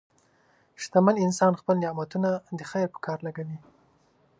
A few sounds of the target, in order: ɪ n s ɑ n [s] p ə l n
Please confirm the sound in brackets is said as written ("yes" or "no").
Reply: no